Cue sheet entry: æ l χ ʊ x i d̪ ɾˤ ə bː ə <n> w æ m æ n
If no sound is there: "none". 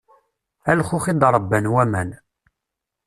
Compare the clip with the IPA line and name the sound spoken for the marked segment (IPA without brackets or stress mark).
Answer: n